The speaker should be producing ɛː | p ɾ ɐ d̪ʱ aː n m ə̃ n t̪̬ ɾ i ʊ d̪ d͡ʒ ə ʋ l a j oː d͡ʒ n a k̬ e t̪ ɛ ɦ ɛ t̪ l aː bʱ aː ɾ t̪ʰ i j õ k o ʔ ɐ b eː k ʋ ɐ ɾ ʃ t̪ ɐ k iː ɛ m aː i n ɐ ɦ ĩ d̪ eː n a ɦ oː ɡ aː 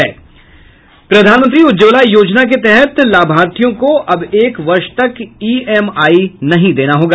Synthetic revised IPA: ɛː | p ɾ ɐ d̪ʱ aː n m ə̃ n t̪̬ ɾ i ʊ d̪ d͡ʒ ə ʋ l a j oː d͡ʒ n a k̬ e t̪ ɛ ɦ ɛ t̪ l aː bʱ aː ɾ t̪ʰ i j õ k o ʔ ɐ b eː k ʋ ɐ ɾ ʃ t̪ ɐ k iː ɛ m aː i n ɐ ɦ ĩ d̪ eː n a ɦ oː ɡ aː